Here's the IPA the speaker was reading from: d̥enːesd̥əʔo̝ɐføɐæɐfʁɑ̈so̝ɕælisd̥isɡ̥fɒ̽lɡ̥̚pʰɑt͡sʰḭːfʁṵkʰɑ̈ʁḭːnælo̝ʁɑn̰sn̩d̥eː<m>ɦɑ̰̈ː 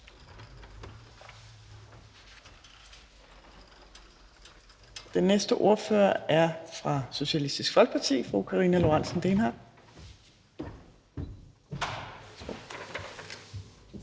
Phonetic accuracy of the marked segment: incorrect: n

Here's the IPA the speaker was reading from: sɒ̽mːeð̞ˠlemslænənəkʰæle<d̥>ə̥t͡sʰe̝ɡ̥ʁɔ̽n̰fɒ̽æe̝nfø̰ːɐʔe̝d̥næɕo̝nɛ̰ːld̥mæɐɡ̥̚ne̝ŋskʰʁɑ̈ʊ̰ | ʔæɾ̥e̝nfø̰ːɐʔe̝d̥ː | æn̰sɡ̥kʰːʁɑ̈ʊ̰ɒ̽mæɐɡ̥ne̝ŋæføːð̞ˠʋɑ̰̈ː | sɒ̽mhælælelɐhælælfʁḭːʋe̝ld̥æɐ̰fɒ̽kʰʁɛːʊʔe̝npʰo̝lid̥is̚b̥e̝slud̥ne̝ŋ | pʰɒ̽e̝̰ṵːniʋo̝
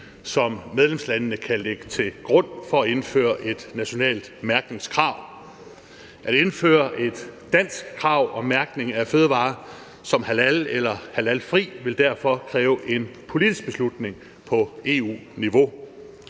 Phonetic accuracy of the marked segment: incorrect: ɡ̥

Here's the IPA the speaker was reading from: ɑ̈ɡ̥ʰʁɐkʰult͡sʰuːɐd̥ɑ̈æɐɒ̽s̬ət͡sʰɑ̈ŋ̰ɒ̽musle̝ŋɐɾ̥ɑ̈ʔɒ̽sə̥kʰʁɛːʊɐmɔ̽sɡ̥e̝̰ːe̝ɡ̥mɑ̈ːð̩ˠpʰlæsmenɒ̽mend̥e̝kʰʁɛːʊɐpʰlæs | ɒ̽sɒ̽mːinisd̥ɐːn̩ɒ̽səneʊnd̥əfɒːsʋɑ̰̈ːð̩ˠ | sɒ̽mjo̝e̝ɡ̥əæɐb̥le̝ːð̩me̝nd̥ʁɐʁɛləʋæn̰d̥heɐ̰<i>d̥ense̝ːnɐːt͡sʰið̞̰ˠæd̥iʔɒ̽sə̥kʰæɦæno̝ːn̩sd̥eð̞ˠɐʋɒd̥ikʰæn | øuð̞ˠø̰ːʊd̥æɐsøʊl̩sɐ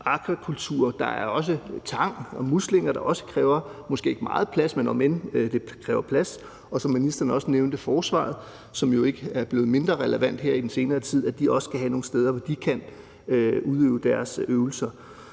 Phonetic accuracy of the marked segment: correct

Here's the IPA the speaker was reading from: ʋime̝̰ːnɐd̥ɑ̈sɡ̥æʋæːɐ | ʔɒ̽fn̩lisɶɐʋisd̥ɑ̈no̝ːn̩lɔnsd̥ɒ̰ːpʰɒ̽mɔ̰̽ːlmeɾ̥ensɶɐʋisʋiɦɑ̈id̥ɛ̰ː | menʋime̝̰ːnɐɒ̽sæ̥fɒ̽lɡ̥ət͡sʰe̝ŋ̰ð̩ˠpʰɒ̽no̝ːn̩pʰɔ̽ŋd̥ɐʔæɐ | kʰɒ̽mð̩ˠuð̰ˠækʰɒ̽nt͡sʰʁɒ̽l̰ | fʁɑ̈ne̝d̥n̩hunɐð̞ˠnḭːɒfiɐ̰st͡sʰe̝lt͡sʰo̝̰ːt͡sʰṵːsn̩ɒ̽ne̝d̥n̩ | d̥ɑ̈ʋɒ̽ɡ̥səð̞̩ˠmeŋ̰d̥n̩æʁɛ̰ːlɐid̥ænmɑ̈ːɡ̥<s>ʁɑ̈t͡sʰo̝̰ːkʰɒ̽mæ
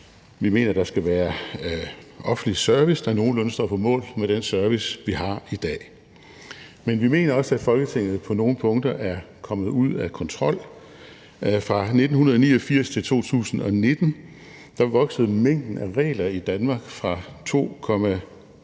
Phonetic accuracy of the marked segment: incorrect: f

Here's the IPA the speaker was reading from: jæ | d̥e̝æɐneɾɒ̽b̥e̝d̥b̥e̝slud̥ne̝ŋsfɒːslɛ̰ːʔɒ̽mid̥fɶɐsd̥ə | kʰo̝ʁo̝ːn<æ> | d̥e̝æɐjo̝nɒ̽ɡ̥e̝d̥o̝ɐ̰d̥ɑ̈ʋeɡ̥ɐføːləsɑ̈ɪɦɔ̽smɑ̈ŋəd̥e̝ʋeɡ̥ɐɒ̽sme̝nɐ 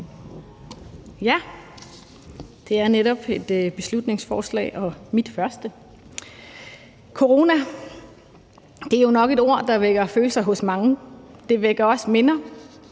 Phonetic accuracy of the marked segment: correct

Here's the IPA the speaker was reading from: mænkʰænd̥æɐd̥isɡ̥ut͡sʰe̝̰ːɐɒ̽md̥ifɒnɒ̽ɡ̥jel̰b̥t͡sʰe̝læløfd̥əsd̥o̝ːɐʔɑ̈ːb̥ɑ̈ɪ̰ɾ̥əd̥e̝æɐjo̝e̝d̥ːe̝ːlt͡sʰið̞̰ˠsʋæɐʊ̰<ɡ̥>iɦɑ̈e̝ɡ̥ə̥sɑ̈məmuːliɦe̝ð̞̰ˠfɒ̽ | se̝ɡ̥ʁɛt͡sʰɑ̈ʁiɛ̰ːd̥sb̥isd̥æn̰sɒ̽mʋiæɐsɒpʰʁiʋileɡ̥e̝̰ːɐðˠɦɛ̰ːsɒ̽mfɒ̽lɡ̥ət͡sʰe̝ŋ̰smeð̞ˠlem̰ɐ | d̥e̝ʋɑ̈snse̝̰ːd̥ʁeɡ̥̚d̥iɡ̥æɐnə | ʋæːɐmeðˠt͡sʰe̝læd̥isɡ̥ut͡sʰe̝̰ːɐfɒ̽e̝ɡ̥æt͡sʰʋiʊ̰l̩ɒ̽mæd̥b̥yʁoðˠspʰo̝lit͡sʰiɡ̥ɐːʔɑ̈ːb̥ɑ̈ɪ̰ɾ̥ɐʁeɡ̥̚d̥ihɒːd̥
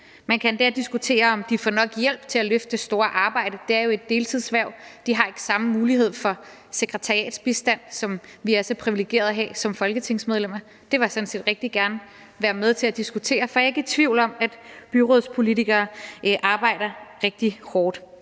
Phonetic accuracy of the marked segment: incorrect: d̥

